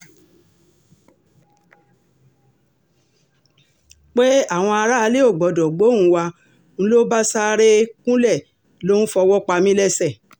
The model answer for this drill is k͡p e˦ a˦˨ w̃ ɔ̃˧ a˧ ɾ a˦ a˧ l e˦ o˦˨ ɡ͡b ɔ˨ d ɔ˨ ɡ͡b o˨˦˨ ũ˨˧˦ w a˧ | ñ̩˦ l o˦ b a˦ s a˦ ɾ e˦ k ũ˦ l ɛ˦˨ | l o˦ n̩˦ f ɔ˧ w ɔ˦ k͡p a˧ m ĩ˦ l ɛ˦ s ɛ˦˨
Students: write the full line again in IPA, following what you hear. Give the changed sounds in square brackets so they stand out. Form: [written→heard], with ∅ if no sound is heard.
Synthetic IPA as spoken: k͡p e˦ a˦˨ w̃ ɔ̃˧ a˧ ɾ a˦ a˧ l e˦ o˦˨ ɡ͡b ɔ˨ d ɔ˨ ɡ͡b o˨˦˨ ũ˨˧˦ w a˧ | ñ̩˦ l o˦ b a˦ s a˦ ɾ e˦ k ũ˦ l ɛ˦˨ | l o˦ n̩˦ f ɔ˧ w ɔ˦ k͡p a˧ m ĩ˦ l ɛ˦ s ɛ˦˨